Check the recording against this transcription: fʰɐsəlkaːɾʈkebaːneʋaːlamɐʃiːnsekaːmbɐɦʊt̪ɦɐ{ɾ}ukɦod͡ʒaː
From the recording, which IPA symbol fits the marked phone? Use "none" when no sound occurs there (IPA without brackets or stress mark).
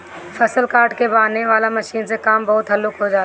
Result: l